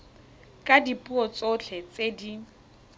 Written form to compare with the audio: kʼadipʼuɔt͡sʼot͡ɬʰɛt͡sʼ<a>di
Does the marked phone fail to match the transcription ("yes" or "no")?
yes